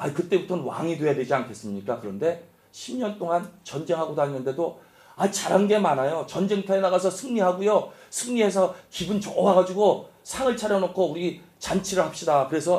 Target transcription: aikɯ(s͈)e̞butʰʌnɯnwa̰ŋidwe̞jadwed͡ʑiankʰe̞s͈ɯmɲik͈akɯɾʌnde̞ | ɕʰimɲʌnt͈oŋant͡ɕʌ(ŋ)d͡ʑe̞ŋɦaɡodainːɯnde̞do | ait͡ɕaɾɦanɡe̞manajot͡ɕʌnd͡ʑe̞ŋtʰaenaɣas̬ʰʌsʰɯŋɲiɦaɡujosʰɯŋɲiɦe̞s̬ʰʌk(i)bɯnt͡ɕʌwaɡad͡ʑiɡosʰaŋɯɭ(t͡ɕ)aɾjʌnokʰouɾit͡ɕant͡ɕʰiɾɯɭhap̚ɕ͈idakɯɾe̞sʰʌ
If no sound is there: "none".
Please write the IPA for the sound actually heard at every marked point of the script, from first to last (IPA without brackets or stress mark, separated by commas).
t͈, n, i, t͡ɕʰ